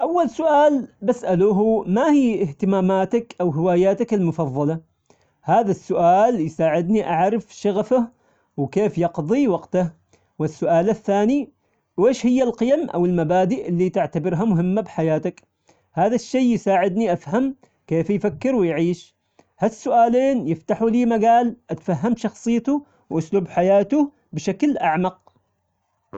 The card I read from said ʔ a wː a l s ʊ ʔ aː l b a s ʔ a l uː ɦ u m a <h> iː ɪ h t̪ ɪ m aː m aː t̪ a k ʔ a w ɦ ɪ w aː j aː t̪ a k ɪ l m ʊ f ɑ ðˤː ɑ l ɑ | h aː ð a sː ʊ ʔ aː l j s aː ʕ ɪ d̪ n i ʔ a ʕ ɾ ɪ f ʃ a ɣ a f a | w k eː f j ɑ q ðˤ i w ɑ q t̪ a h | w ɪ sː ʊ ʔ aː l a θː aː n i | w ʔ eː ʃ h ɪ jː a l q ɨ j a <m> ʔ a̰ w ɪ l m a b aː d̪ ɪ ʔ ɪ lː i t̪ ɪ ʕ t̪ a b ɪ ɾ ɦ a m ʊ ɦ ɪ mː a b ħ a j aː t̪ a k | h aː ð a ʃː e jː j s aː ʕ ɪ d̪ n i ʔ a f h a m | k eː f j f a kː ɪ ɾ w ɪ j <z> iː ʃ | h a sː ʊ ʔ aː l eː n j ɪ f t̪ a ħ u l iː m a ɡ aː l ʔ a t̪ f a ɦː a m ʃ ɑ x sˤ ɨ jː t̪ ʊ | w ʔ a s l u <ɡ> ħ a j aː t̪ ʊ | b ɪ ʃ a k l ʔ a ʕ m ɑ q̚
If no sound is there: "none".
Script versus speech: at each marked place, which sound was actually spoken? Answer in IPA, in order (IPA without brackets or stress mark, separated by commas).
h, m, ʕ, b